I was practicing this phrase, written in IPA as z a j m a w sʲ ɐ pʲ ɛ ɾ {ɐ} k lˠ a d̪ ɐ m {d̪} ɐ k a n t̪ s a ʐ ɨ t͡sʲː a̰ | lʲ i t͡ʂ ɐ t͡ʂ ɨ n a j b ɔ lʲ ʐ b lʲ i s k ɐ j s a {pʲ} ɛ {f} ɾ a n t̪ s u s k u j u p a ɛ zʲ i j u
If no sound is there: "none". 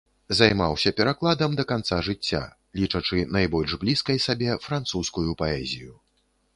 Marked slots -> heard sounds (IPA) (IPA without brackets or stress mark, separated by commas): a, d̪, bʲ, f